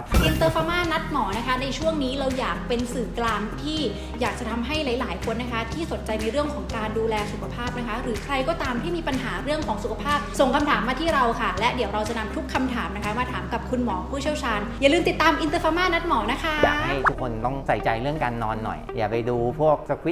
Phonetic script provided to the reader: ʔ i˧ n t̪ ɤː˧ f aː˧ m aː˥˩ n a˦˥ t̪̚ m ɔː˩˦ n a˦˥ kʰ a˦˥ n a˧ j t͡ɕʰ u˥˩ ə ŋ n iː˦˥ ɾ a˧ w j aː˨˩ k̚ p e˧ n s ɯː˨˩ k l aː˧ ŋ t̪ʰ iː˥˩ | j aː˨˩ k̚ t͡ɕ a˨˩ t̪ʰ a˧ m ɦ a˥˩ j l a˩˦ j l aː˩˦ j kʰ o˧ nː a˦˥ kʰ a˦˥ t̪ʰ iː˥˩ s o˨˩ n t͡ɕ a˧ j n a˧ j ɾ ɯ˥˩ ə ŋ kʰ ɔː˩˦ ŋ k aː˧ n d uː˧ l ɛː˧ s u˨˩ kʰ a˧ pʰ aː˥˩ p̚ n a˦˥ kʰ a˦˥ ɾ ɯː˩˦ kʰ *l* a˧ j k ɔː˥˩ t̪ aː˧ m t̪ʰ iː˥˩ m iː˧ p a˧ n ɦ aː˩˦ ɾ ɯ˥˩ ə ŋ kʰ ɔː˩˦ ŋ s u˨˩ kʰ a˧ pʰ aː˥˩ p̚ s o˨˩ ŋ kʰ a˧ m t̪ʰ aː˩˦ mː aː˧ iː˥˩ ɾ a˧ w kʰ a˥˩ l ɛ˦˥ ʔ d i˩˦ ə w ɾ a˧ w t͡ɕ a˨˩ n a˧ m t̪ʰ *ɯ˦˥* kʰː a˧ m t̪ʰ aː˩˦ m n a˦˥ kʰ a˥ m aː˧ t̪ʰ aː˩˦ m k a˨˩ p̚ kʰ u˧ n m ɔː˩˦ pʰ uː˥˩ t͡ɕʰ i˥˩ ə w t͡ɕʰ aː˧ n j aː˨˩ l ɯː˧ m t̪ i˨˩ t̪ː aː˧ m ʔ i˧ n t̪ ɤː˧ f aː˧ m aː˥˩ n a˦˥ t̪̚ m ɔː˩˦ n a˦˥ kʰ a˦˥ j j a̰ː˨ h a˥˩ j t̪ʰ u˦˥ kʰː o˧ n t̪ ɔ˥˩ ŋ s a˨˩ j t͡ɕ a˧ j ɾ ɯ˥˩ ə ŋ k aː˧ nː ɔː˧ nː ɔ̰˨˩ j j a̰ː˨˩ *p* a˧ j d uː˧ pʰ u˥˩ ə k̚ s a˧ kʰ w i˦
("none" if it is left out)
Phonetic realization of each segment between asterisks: ɾ, u˦˥, p

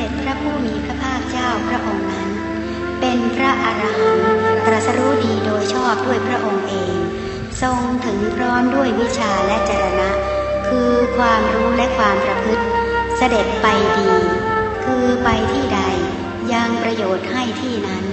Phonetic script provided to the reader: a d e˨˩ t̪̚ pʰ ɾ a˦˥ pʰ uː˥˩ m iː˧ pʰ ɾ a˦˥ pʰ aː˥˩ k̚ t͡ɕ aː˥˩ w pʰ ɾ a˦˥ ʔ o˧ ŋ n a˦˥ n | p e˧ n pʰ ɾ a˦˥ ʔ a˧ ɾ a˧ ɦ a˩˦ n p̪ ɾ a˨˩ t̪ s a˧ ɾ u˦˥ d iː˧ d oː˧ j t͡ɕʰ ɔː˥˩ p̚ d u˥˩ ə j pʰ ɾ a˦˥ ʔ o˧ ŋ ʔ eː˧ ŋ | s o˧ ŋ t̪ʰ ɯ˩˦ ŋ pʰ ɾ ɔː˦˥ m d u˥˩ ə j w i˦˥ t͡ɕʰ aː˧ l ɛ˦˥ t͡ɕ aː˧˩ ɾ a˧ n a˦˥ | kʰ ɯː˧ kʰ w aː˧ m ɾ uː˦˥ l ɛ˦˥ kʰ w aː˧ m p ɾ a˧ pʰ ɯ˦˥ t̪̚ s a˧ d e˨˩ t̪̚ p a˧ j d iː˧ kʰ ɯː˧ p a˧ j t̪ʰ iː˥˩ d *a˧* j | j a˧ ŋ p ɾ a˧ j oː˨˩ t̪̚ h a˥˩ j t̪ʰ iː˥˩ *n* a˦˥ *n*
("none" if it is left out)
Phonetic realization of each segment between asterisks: a˧, n, n

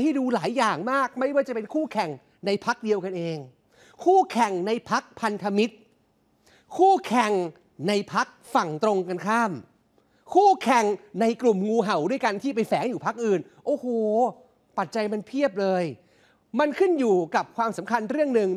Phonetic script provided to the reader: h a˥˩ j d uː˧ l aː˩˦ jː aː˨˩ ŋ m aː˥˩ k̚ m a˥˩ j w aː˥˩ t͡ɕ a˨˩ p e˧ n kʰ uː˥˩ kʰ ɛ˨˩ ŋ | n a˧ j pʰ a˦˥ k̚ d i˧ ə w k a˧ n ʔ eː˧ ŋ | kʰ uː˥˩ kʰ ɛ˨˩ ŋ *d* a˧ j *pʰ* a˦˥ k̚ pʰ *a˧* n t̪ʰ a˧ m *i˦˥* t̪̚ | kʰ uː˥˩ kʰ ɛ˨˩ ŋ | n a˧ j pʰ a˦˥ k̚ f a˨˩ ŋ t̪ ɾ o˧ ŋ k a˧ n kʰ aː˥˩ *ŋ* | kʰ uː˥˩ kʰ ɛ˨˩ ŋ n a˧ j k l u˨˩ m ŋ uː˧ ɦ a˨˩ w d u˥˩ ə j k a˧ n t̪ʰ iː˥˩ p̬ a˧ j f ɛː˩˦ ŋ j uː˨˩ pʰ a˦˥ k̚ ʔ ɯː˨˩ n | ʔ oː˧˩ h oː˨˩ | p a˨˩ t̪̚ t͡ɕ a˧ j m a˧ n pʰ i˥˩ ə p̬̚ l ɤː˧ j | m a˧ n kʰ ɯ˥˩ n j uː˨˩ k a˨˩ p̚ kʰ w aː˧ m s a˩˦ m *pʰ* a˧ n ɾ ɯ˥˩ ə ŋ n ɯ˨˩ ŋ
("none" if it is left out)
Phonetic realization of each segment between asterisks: n, pʰ, a˧, i˦˥, m, kʰ

